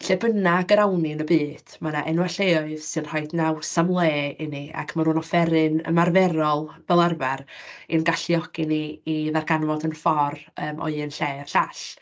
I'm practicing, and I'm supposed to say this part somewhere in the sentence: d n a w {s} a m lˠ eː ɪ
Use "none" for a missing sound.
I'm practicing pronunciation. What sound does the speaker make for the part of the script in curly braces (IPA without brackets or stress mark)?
s